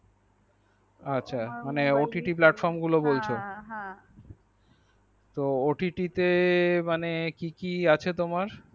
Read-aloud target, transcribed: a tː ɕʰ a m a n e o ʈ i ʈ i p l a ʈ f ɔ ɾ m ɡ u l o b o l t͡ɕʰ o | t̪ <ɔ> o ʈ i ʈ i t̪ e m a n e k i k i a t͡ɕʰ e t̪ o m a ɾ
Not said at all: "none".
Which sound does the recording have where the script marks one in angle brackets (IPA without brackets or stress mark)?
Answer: o